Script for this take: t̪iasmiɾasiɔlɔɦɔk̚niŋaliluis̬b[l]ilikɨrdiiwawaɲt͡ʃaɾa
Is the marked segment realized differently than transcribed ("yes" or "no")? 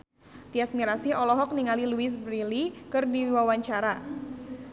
yes